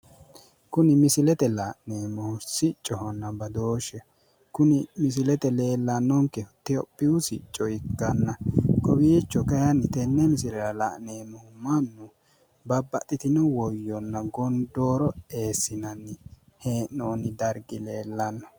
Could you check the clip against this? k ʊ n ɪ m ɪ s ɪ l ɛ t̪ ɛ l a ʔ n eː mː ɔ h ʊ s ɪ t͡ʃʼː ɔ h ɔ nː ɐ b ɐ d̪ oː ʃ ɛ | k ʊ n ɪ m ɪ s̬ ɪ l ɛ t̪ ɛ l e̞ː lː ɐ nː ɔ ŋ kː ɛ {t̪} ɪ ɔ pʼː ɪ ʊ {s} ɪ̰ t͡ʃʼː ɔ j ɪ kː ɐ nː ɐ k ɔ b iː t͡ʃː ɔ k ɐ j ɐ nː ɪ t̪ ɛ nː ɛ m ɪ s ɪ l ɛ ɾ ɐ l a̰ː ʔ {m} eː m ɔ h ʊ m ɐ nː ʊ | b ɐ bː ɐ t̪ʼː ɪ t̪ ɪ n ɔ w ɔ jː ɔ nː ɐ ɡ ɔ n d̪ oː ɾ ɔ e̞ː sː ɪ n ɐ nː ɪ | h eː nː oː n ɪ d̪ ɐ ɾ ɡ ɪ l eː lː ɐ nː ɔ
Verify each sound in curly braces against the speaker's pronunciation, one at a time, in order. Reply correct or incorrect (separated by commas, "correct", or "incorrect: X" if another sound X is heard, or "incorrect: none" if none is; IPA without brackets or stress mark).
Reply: correct, correct, incorrect: n